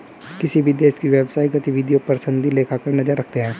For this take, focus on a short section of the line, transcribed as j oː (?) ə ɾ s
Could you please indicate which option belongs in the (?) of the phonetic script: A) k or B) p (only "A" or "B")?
B